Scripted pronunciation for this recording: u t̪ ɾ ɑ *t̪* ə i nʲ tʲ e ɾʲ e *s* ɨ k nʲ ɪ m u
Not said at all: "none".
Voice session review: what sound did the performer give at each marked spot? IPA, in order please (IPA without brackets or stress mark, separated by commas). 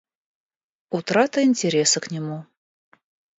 t̪, s